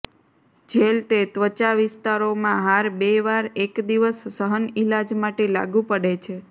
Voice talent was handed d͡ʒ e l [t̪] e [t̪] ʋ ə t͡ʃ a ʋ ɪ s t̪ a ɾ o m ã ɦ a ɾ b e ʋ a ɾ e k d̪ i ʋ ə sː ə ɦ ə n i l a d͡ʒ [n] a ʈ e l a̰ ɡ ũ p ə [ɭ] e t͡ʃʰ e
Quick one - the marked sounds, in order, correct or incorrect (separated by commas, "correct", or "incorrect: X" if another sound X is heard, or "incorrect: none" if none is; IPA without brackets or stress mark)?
correct, correct, incorrect: m, incorrect: ɽ